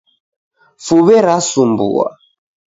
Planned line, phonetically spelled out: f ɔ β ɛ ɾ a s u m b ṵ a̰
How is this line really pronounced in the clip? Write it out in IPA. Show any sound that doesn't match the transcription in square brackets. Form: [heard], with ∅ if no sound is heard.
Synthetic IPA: f [u] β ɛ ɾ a s u m b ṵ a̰